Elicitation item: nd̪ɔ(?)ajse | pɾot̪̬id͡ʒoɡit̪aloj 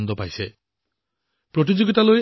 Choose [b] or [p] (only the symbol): p